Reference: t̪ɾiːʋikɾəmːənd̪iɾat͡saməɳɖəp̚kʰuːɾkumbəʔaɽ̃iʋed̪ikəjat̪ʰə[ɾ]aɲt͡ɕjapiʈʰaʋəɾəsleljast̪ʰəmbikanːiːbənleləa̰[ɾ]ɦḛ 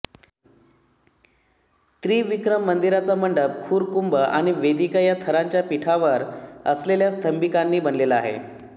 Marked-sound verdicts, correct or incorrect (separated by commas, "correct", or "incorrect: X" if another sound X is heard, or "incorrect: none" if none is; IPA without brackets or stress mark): correct, incorrect: none